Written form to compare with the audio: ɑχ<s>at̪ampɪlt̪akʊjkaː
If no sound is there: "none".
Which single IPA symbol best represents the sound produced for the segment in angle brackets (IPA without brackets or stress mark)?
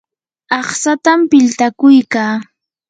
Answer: s